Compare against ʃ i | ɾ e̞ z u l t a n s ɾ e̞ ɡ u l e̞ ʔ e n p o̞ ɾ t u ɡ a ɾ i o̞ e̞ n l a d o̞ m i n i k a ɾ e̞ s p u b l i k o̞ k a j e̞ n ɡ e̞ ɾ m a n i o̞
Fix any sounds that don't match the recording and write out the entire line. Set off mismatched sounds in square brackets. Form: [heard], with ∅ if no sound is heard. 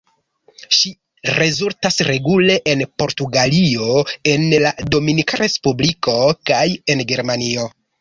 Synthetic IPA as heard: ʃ i | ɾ e̞ z u l t a [∅] s ɾ e̞ ɡ u l e̞ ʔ e n p o̞ ɾ t u ɡ a [l] i o̞ e̞ n l a d o̞ m i n i k a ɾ e̞ s p u b l i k o̞ k a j e̞ n ɡ e̞ ɾ m a n i o̞